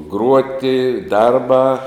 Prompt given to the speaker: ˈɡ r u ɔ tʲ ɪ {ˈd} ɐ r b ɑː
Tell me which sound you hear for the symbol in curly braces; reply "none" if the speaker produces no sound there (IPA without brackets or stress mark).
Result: d